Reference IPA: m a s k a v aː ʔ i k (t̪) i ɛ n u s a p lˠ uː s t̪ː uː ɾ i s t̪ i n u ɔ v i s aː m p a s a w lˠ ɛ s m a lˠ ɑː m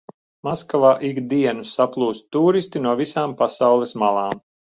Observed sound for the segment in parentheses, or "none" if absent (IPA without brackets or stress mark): d̪